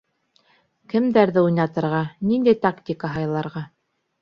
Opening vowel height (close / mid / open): mid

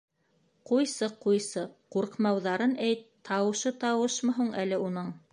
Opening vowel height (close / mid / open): close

